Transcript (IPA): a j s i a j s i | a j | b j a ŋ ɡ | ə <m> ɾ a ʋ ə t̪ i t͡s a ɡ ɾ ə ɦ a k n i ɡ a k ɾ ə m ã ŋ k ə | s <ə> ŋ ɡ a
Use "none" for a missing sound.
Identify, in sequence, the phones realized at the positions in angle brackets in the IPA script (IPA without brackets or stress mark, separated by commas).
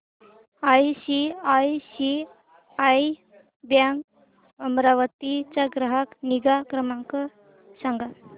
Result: m, a